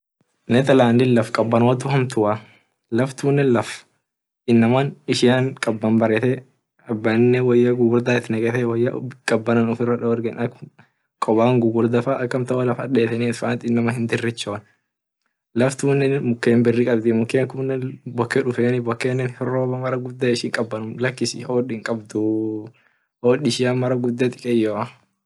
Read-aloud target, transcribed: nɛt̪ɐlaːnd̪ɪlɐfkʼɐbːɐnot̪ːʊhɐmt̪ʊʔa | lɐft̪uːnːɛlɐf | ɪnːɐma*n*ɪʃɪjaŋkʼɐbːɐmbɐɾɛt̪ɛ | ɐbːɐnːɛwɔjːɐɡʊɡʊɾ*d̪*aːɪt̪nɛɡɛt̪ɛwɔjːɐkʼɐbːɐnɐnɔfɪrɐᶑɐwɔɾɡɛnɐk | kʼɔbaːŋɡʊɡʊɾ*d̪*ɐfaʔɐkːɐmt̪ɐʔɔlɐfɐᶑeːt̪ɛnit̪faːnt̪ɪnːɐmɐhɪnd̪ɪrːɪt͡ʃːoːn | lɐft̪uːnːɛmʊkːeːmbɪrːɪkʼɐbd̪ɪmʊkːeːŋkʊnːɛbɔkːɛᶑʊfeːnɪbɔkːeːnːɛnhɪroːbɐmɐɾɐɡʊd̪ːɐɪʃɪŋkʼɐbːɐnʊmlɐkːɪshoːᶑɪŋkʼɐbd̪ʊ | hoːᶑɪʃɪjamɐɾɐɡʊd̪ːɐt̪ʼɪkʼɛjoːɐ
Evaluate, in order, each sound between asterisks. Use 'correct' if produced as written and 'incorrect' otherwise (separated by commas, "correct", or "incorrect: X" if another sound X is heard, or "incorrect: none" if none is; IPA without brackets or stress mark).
correct, correct, correct